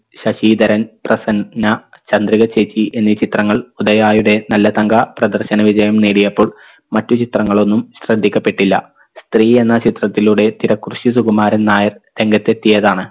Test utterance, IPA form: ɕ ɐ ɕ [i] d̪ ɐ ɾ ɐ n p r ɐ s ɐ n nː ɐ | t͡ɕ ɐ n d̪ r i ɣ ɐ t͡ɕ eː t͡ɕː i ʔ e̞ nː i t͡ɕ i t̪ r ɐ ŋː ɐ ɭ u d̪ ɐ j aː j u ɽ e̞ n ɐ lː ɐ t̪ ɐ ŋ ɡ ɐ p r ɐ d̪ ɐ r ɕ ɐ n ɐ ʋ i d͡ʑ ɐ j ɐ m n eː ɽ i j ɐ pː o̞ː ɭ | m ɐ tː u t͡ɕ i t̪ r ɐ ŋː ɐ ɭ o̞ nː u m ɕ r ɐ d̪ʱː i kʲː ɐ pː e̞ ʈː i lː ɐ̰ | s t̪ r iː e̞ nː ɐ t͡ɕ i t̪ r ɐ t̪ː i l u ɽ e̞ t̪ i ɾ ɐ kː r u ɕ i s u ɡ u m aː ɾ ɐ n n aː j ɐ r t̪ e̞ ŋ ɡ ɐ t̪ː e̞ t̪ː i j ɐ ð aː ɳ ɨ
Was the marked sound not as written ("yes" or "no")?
yes